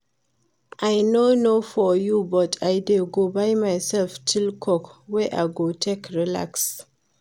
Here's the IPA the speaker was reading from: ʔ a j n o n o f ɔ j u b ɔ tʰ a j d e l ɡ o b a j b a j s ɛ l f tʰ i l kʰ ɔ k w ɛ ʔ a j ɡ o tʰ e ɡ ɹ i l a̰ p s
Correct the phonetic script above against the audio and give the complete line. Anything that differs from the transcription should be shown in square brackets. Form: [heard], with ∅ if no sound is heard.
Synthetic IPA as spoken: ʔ a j n o n o f ɔ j u b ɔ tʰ a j d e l ɡ o b a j [m] a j s ɛ l f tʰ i l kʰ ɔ k w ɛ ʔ a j ɡ o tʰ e [k] ɹ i l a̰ [k] s